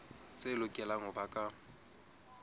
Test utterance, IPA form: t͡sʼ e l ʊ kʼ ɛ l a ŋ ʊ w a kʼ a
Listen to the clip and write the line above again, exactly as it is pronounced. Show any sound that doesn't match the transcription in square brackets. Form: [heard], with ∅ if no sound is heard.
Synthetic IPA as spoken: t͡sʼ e l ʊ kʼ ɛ l a ŋ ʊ [b] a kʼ a